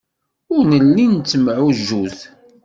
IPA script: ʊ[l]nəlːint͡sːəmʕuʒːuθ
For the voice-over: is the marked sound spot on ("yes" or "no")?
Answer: no